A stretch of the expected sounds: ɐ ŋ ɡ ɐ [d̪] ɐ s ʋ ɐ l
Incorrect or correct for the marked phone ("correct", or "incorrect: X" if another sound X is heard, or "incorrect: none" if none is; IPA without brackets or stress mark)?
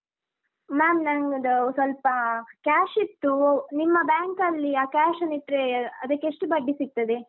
correct